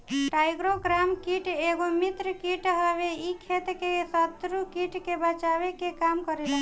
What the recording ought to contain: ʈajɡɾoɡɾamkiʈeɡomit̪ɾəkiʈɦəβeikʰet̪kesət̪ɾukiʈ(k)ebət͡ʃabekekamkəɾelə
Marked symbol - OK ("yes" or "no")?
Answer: yes